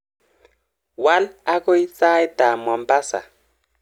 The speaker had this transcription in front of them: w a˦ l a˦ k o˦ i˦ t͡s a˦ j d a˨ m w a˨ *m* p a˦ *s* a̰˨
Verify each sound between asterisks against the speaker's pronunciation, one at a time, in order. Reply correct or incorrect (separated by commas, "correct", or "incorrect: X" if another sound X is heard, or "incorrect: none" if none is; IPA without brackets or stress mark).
correct, correct